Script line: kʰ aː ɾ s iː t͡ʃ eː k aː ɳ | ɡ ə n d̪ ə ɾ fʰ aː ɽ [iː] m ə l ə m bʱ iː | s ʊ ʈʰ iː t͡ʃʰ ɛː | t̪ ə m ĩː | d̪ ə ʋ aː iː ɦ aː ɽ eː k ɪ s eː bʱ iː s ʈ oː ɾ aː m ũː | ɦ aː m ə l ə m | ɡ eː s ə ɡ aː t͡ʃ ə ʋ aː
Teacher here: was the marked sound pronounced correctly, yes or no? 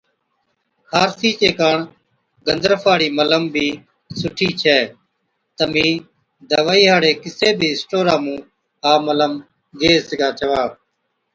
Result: yes